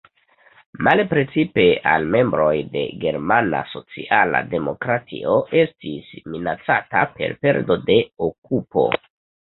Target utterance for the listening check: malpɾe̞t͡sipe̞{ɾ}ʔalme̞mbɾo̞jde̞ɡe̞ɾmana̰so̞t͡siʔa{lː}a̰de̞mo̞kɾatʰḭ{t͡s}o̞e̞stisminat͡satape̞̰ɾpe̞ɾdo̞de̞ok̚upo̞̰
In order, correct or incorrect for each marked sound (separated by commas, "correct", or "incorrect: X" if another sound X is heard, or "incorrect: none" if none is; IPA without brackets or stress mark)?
incorrect: none, incorrect: l, incorrect: none